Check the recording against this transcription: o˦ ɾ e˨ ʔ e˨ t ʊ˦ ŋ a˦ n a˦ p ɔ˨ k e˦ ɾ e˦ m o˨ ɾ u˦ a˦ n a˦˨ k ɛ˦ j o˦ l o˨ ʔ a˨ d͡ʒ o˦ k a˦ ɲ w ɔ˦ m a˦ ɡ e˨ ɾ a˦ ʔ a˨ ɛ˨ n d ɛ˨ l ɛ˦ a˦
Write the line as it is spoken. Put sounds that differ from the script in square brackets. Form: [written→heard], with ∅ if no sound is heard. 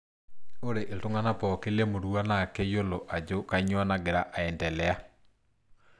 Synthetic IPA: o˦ ɾ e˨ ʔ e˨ t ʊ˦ ŋ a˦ n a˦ p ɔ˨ k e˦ [ɾ→l] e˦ m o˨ ɾ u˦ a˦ n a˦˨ k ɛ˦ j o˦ l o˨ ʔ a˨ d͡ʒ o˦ k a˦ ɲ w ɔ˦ [m→n] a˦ ɡ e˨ ɾ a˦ ʔ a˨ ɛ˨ n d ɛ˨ l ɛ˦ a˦